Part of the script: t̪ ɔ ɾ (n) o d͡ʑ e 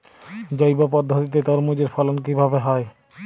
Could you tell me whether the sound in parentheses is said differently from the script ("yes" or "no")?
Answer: yes